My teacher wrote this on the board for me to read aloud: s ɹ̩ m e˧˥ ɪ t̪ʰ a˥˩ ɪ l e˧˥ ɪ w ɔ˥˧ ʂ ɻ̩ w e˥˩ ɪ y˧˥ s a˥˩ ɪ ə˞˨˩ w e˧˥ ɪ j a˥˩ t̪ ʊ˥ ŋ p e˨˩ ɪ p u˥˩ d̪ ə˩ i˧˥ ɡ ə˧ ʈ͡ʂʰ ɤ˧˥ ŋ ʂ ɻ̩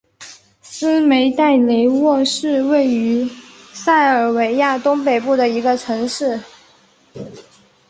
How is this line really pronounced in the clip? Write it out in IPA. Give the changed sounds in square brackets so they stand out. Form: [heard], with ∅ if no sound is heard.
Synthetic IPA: s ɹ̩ m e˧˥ ɪ [t̪] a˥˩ ɪ l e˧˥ ɪ w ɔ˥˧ ʂ ɻ̩ w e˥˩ ɪ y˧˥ s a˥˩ ɪ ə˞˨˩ w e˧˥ ɪ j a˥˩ t̪ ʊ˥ ŋ p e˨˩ ɪ p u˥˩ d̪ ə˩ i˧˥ ɡ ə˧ ʈ͡ʂʰ ɤ˧˥ ŋ ʂ ɻ̩